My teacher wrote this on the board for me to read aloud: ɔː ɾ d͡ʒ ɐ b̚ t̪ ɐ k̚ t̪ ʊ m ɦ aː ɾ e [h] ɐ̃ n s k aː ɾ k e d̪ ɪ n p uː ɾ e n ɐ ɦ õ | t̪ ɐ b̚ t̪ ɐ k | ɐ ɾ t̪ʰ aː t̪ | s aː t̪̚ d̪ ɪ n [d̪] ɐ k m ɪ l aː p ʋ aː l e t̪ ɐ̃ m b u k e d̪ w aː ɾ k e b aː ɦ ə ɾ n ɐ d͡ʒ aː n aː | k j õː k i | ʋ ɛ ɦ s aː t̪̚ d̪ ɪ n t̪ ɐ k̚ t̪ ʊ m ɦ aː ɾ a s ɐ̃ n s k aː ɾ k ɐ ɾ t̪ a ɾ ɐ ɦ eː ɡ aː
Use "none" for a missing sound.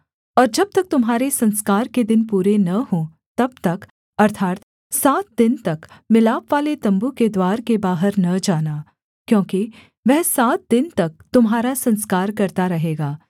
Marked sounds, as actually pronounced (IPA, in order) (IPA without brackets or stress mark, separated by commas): s, t̪